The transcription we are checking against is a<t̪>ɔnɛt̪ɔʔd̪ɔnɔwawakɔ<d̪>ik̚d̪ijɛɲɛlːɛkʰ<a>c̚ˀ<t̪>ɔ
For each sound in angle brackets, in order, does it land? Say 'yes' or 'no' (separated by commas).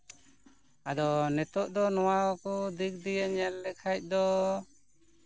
no, yes, yes, no